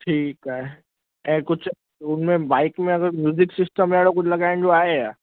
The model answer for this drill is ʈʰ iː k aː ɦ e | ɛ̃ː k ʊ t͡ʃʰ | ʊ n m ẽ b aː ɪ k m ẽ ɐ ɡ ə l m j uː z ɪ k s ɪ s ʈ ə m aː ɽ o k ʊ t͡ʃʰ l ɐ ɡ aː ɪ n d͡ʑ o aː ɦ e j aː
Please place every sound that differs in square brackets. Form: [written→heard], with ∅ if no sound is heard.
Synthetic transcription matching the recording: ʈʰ iː k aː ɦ e | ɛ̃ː k ʊ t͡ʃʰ | ʊ n m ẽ b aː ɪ k m ẽ ɐ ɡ ə [l→ɾ] m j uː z ɪ k s ɪ s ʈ ə m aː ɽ o k ʊ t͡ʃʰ l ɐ ɡ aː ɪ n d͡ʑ o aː ɦ e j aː